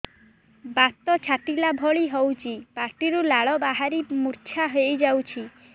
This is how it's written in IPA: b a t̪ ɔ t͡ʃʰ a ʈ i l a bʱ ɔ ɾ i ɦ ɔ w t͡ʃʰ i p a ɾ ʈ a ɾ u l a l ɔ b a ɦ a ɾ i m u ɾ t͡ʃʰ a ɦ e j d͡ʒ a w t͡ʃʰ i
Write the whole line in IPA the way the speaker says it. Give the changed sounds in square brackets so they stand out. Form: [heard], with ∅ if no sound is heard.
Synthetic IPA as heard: b a t̪ ɔ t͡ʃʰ a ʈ i l a bʱ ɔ [ɭ] i ɦ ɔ w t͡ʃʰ i p a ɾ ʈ [i] ɾ u l a [ɭ] ɔ b a ɦ a ɾ i m u ɾ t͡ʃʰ a ɦ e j d͡ʒ a w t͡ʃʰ i